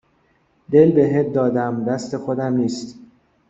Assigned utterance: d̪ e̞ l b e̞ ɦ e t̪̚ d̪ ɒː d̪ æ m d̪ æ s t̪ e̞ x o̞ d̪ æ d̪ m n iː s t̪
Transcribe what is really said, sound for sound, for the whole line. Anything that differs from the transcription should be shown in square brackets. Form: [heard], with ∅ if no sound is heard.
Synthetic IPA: d̪ e̞ l b e̞ ɦ e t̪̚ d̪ ɒː d̪ æ m d̪ æ s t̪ e̞ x o̞ d̪ æ [∅] m n iː s t̪